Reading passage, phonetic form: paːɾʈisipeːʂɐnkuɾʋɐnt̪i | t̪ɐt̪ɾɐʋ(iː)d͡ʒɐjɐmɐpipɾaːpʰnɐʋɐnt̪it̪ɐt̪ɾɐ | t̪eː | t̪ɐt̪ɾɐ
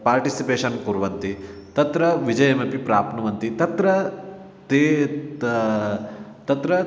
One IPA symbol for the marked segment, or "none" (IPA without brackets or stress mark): i